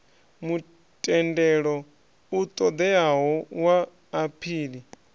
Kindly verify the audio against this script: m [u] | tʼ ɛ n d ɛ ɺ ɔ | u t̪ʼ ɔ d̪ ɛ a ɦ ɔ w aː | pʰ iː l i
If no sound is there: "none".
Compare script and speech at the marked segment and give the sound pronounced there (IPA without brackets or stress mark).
u